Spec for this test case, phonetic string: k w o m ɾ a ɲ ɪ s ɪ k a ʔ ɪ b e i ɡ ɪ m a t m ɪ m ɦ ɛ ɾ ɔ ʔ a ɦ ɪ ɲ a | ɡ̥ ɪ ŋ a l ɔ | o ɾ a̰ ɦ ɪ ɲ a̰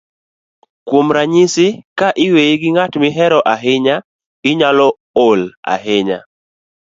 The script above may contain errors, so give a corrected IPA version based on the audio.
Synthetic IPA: k w o m ɾ a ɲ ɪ s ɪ k a ʔ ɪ w e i ɡ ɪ ŋ a t m ɪ ɦ ɛ ɾ ɔ ʔ a ɦ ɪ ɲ a | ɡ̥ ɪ ɲ a l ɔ | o l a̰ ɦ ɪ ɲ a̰

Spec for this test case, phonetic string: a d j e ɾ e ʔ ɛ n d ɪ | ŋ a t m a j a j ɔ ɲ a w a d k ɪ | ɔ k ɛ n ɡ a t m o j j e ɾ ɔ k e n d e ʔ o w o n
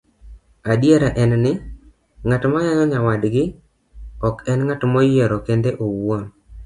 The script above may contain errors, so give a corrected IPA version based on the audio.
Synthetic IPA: a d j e ɾ a ʔ ɛ n n ɪ | ŋ a t m a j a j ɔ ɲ a w a d ɡ ɪ | ɔ k ɛ n ŋ a t m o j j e ɾ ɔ k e n d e ʔ o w o n

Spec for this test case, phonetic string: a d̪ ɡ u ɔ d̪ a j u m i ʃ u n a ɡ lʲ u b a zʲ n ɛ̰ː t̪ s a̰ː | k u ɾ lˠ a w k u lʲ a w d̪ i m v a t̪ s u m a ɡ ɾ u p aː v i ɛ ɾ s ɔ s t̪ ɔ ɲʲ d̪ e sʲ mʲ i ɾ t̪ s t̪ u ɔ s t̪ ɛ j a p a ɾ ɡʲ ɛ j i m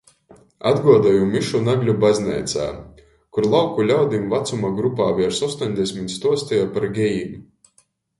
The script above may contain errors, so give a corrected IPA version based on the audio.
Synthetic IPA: a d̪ ɡ u ɔ d̪ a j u m i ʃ u n a ɡ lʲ u b a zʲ n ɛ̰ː t̪ s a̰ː | k u ɾ lˠ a w k u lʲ a w d̪ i m v a t̪ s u m a ɡ ɾ u p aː v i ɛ ɾ s ɔ s t̪ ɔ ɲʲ d̪ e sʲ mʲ i t̪ s t̪ u ɔ s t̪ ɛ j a p a ɾ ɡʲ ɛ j i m

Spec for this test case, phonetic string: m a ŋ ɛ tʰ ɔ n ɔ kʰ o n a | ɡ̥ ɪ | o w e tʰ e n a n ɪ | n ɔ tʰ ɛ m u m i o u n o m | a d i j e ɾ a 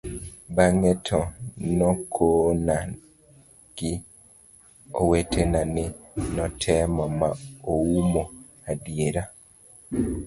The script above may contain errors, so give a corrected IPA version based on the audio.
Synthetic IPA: b a ŋ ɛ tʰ ɔ n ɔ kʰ o n a | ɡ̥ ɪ | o w e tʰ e n a n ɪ | n ɔ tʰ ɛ m ɔ m a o u m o | a d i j e ɾ a

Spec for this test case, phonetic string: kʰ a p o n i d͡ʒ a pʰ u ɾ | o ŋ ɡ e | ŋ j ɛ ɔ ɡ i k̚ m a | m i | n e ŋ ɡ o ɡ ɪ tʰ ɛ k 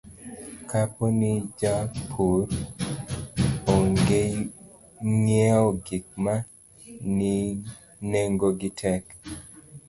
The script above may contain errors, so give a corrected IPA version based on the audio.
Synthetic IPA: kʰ a p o n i d͡ʒ a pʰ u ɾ | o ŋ ɡ e | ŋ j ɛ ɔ ɡ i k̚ m a | n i | n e ŋ ɡ o ɡ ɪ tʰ ɛ k

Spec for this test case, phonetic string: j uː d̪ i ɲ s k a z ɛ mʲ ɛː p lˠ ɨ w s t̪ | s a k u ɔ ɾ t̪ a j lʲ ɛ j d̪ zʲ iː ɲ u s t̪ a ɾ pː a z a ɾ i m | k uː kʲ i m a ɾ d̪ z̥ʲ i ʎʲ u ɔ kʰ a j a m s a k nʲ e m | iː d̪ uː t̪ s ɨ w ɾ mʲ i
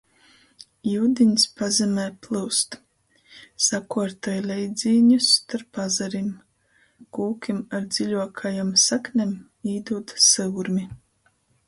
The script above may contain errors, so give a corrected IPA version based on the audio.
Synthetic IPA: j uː d̪ i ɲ s p a z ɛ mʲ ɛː p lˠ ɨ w s t̪ | s a k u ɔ ɾ t̪ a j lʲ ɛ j d̪ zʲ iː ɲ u s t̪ a ɾ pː a z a ɾ i m | k uː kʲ i m a ɾ d̪ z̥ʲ i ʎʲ u ɔ kʰ a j a m s a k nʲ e m | iː d̪ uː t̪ s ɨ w ɾ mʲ i

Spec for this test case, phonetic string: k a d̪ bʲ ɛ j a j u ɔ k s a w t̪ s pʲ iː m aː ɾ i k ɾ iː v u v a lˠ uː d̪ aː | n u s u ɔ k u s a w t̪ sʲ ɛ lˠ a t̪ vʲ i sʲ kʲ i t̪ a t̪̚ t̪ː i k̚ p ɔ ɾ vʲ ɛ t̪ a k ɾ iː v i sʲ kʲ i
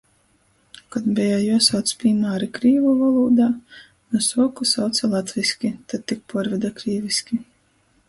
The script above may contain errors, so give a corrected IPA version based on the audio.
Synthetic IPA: k a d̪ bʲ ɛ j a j u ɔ s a w t̪ s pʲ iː m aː ɾ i k ɾ iː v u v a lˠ uː d̪ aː | n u s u ɔ k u s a w t̪ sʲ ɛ lˠ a t̪ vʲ i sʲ kʲ i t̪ a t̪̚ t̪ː i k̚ p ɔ ɾ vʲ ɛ d̪ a k ɾ iː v i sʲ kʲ i

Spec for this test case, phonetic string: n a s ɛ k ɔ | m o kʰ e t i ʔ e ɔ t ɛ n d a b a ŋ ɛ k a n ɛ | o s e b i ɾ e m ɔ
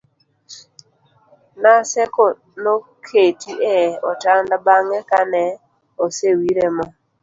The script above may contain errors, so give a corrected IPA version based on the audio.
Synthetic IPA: n a s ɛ k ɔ | n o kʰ e t i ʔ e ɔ t a n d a b a ŋ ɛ k a n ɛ | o s e w i ɾ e m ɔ

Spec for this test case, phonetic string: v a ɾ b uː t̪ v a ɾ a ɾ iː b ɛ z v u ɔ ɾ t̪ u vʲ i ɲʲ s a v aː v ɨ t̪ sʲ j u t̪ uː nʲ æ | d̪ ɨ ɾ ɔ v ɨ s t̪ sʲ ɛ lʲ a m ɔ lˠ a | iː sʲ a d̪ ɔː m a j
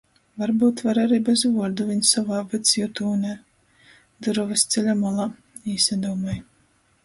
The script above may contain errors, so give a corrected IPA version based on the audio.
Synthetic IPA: v a ɾ b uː t̪ v a ɾ a ɾ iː b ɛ z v u ɔ ɾ d̪ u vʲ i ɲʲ s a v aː v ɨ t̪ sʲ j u t̪ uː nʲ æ | d̪ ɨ ɾ ɔ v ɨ s t̪ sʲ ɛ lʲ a m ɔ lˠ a | iː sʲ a d̪ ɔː m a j

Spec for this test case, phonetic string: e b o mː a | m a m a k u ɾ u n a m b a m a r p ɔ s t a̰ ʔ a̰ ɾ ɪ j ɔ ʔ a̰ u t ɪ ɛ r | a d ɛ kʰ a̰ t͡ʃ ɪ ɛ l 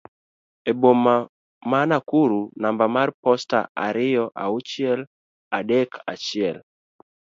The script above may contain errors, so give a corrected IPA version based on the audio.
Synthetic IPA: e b o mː a | m a n a k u ɾ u n a m b a m a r p ɔ s t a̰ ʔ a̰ ɾ ɪ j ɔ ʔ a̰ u t͡ʃ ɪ ɛ l | a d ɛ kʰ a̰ t͡ʃ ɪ ɛ l

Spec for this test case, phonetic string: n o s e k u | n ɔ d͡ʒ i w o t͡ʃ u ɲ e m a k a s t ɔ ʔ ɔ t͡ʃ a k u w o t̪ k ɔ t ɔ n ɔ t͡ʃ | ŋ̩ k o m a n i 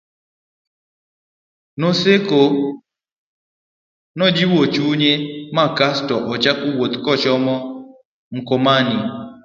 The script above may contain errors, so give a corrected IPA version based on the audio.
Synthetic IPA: n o s e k o | n ɔ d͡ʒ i w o t͡ʃ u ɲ e m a k a s t ɔ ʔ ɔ t͡ʃ a k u w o t̪ k ɔ t͡ʃ ɔ m ɔ | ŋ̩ k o m a n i

